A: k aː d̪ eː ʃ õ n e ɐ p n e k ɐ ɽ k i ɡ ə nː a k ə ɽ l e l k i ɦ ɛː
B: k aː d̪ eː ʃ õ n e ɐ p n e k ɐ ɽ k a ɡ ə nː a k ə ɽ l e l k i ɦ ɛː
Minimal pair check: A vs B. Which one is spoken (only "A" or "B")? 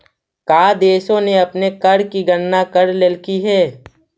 A